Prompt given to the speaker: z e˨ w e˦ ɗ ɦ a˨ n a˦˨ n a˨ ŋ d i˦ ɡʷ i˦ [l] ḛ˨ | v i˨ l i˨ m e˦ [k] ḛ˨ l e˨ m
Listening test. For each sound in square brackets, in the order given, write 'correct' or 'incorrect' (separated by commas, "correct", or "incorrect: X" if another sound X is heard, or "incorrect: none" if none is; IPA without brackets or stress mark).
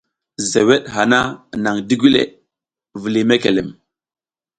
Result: correct, correct